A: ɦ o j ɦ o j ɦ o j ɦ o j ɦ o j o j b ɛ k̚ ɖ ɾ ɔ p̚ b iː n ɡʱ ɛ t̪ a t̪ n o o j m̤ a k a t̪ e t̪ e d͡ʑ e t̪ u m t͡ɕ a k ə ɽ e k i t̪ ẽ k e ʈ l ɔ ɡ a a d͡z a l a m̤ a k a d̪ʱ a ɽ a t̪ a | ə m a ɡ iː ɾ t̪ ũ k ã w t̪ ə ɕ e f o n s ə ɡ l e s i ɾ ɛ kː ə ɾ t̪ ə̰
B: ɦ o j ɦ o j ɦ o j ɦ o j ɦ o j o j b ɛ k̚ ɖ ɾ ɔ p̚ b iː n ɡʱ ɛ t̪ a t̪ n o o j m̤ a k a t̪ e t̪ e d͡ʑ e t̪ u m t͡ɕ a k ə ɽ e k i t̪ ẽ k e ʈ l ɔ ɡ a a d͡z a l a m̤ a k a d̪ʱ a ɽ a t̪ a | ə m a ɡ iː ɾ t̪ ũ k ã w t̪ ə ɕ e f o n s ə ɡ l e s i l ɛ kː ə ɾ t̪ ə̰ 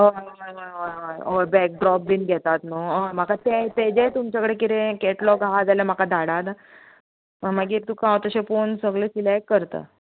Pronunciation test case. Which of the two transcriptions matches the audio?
B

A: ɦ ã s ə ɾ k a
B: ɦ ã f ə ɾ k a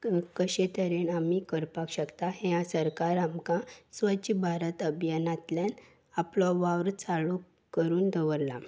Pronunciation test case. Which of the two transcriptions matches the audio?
A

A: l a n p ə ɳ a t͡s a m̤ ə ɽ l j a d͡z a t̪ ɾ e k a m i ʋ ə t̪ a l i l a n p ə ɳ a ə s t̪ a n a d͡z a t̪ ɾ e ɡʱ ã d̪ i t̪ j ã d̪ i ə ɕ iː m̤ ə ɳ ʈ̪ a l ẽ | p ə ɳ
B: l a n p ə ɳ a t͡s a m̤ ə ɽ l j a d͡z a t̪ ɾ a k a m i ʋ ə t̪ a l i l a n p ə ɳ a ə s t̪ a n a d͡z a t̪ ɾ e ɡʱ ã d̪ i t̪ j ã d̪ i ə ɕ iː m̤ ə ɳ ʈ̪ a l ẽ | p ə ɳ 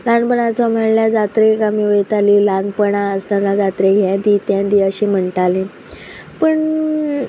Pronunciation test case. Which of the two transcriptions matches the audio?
A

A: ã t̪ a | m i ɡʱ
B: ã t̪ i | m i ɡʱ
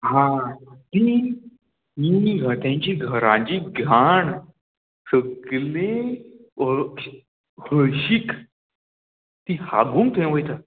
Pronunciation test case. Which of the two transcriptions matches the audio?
B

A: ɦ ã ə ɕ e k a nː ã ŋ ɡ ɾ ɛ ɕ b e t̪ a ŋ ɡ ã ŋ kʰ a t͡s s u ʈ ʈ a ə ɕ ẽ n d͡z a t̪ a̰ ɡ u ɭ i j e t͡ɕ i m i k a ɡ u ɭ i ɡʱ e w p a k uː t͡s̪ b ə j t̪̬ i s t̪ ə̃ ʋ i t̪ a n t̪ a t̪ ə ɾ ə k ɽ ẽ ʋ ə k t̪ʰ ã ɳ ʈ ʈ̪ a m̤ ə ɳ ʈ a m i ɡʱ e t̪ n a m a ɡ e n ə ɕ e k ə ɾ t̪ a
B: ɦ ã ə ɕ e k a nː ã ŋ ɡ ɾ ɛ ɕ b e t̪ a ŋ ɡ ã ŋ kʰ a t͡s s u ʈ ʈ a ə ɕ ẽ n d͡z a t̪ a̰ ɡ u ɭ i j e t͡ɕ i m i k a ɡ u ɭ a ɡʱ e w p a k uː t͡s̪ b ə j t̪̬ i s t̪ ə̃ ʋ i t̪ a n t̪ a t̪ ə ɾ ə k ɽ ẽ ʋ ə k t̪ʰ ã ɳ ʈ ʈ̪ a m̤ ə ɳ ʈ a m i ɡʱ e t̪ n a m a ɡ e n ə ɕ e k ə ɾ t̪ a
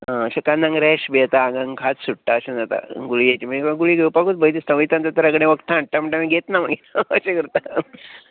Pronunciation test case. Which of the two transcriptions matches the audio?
A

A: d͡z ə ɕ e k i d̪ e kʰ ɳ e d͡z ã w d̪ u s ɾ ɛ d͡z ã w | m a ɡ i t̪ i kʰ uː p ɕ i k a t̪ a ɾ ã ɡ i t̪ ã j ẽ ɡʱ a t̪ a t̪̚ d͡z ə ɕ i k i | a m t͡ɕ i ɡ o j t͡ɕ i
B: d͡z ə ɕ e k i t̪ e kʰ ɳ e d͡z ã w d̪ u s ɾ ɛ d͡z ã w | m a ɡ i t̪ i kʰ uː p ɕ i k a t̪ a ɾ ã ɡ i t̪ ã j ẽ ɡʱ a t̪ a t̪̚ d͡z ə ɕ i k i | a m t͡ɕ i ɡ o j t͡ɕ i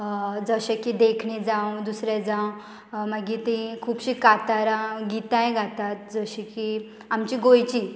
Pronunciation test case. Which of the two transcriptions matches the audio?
A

